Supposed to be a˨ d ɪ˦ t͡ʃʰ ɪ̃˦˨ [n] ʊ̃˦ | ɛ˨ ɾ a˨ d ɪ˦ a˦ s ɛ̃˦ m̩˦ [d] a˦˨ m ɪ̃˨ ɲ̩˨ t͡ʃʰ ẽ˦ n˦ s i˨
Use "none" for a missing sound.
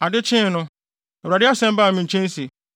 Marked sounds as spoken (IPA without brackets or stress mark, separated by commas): n, b